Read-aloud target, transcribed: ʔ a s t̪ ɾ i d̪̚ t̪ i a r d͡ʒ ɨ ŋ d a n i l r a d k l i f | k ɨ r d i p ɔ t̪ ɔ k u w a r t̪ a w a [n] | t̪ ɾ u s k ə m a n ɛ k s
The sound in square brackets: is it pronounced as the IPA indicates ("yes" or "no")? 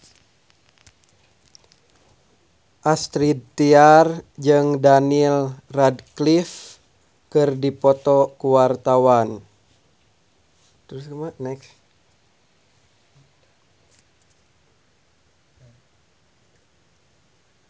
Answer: yes